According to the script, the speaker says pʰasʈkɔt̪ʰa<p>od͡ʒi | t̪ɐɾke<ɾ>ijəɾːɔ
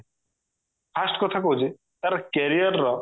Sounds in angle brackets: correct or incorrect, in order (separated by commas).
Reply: incorrect, correct